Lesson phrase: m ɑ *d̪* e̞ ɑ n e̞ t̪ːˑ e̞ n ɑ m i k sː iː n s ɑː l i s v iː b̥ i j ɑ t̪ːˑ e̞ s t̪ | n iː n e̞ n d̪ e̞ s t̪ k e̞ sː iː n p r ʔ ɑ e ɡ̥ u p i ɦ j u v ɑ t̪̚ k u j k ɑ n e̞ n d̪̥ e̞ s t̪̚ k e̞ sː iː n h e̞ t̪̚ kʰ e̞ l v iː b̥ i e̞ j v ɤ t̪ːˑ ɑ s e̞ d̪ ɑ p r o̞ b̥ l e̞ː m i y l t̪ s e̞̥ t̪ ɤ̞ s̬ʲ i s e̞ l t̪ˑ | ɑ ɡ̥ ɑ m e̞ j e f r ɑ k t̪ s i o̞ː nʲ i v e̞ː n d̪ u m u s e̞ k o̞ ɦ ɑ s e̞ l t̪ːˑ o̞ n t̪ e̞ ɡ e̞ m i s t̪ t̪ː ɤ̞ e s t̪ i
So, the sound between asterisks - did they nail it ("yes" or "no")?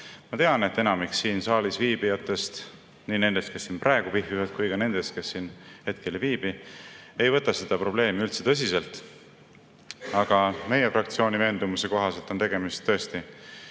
no